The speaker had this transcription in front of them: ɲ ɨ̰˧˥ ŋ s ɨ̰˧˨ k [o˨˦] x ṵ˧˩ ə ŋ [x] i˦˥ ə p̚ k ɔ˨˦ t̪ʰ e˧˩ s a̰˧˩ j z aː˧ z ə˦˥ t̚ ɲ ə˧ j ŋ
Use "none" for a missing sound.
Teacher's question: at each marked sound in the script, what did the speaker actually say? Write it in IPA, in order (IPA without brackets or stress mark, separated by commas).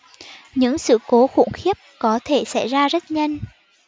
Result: o˨˦, x